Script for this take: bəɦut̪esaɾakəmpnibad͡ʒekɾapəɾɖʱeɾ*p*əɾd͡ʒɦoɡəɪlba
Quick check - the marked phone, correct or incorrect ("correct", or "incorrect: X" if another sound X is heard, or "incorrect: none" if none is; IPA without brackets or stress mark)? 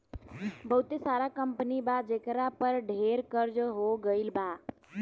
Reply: incorrect: k